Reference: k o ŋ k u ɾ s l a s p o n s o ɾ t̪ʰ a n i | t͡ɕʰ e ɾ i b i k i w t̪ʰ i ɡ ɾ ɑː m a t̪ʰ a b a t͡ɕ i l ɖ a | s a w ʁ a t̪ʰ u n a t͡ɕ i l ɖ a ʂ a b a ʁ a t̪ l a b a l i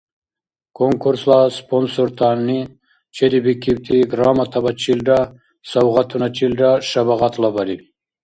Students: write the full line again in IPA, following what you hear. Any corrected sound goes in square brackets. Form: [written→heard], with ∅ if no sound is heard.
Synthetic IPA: k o ŋ k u ɾ s l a s p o n s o ɾ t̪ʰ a n i | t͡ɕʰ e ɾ i b i k i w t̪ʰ i ɡ ɾ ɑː m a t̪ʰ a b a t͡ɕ i l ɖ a | s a w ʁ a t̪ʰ u n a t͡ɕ i l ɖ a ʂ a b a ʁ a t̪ l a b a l i